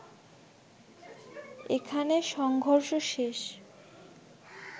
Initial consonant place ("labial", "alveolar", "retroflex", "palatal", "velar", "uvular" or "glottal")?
velar